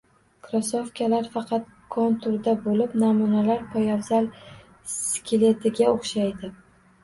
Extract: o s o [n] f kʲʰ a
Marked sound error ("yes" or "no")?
yes